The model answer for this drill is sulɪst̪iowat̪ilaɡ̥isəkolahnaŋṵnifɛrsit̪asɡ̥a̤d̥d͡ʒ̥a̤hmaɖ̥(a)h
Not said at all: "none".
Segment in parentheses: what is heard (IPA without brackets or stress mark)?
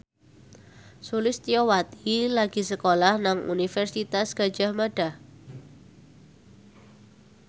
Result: a